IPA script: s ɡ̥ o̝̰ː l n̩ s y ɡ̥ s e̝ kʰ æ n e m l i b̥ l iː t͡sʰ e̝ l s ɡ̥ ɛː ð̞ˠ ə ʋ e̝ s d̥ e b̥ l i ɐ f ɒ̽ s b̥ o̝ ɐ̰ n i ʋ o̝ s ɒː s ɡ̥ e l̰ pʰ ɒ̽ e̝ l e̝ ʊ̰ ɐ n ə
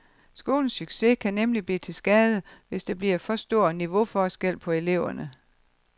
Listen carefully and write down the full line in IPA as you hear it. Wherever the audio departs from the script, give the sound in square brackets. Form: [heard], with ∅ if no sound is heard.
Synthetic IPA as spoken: s ɡ̥ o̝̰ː l n̩ s y ɡ̥ s e̝ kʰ æ n e m l i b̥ l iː t͡sʰ e̝ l s ɡ̥ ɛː ð̞ˠ ə ʋ e̝ s d̥ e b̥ l i ɐ f ɒ̽ s [d̥] o̝ ɐ̰ n i ʋ o̝ [f] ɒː s ɡ̥ e l̰ pʰ ɒ̽ e̝ l e̝ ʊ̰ ɐ n ə